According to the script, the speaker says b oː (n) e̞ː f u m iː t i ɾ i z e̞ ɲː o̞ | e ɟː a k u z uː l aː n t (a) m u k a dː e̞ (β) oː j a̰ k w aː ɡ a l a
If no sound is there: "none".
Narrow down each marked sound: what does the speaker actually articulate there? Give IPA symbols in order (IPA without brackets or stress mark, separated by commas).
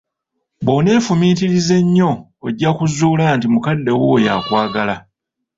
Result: n, i, w